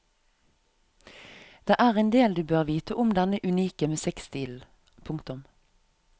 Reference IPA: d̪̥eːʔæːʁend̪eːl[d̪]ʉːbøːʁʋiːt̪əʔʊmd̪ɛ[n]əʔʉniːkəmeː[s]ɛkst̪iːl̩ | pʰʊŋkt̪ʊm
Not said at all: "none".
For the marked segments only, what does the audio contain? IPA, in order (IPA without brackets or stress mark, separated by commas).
d̪, n, s